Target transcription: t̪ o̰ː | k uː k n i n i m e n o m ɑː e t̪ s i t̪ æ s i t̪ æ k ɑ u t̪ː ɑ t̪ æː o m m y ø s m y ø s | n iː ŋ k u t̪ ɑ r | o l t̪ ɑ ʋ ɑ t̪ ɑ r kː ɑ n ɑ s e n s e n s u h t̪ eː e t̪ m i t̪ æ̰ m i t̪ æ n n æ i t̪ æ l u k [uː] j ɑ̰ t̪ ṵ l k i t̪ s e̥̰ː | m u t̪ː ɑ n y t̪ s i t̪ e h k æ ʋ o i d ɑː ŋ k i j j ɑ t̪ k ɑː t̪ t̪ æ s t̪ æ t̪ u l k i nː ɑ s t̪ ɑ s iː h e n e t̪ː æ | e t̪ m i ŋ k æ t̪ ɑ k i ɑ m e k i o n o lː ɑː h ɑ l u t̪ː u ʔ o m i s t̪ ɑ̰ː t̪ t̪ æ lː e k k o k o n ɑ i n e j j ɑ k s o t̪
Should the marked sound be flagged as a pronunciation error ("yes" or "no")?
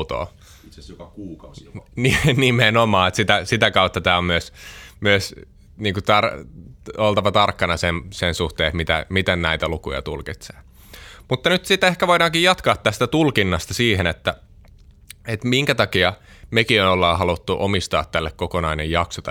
yes